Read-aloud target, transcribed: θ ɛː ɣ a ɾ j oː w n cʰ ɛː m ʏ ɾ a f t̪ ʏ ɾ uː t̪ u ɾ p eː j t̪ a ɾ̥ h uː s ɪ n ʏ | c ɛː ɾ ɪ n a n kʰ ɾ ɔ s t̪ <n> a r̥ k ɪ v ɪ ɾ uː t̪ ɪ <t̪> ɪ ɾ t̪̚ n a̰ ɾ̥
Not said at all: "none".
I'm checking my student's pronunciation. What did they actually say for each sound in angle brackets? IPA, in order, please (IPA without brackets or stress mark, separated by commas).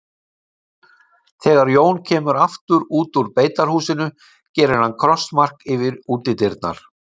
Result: m, t̪